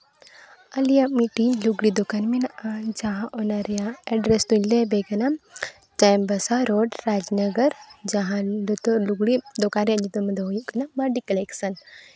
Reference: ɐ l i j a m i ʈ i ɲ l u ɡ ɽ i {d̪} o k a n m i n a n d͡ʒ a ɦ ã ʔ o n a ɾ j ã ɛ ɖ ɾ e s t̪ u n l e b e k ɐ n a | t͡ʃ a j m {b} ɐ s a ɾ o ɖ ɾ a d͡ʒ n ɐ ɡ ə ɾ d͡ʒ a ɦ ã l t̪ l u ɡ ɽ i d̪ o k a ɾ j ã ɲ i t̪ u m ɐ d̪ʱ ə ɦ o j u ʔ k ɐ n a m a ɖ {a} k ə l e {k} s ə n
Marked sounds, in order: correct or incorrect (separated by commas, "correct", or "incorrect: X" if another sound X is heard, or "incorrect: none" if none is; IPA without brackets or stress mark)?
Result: correct, correct, incorrect: i, correct